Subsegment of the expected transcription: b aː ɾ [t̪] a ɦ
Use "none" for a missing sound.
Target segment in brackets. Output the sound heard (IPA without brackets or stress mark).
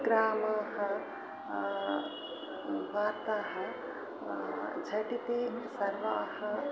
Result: t̪